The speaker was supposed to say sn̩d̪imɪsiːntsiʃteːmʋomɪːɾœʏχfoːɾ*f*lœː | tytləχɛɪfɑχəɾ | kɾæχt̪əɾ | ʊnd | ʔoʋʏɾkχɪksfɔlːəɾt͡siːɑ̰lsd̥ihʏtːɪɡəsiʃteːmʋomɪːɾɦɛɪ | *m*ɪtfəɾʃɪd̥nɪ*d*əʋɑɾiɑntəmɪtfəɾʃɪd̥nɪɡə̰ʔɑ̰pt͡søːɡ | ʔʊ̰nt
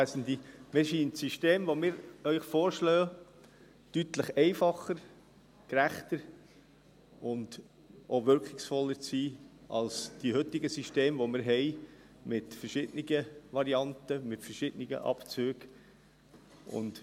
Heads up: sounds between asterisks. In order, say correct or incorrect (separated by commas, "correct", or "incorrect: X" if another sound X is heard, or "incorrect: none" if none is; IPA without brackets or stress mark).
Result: incorrect: ʃ, correct, incorrect: ɡ